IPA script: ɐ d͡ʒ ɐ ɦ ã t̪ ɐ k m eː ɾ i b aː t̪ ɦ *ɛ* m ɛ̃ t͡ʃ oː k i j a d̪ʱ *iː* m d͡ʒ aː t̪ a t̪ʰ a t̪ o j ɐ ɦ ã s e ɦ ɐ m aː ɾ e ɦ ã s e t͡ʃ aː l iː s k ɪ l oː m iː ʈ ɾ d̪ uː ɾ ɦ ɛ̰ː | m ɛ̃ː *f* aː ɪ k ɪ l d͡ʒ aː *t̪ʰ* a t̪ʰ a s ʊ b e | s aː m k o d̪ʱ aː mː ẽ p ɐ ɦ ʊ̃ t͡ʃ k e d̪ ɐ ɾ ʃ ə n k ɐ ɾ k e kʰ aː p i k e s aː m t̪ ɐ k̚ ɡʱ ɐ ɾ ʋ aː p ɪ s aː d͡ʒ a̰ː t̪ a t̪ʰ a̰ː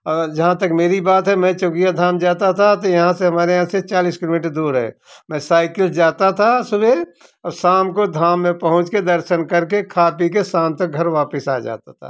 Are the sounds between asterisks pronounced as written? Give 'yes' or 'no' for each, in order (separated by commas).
yes, no, no, no